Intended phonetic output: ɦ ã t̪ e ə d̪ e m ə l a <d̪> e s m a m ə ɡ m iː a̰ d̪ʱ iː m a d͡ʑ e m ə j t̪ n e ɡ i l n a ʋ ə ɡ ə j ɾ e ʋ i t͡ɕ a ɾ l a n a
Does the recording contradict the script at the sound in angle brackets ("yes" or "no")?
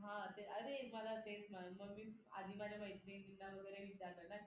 yes